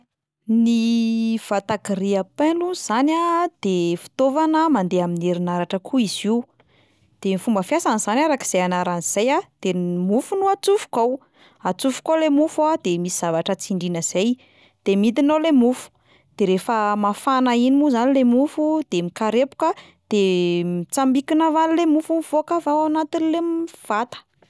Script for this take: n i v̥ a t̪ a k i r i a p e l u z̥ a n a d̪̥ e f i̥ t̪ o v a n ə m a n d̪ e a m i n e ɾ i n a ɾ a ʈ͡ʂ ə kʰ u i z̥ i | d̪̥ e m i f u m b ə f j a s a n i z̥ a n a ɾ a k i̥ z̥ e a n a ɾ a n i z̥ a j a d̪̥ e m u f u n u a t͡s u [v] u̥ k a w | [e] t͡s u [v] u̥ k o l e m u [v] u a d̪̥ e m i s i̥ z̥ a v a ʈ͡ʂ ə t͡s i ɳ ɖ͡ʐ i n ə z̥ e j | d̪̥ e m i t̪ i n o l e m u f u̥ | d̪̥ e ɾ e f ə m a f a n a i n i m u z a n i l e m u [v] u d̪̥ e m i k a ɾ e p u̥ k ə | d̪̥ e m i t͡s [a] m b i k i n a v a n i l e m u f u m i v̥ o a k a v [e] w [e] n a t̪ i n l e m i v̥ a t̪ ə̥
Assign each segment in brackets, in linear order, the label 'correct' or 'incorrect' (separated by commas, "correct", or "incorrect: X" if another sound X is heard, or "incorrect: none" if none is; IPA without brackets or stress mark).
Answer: incorrect: f, incorrect: a, incorrect: f, incorrect: f, incorrect: f, correct, incorrect: a, incorrect: a